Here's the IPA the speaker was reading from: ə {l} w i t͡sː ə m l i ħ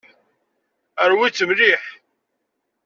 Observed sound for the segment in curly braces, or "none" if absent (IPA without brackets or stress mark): ɾ